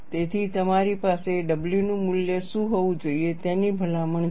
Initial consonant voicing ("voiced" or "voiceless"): voiceless